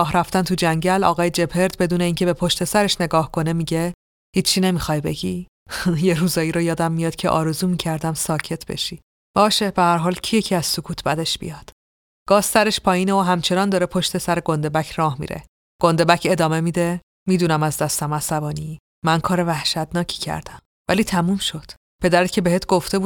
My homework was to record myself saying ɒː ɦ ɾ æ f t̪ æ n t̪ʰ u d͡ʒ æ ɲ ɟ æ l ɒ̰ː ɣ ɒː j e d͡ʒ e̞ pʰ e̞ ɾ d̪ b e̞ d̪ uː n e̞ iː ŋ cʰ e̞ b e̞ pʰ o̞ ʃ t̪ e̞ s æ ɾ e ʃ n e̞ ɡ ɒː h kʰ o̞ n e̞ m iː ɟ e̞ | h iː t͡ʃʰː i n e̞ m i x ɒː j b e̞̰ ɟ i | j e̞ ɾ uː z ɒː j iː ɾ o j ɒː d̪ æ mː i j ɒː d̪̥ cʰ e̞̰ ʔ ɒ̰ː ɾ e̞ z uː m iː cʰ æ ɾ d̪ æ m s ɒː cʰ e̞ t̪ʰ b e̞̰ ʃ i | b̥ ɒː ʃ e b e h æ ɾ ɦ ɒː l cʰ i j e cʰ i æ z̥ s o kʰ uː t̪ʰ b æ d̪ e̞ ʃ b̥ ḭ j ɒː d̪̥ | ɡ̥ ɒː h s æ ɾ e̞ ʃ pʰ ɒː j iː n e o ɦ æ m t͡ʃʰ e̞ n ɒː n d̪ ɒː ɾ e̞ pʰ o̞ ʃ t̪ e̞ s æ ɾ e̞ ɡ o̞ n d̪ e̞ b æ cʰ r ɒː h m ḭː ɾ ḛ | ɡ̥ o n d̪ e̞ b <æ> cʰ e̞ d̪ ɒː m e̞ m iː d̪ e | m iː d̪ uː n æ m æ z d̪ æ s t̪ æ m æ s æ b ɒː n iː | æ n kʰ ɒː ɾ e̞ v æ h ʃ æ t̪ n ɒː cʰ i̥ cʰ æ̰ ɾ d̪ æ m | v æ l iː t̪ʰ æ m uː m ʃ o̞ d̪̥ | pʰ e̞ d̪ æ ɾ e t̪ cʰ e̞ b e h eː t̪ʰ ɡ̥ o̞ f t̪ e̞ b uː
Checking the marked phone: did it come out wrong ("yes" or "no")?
no